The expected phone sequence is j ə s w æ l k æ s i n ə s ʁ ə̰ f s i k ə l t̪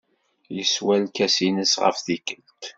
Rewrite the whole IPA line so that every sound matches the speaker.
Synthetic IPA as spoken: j ə s w æ l k æ s i n ə s ʁ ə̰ f θ i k ə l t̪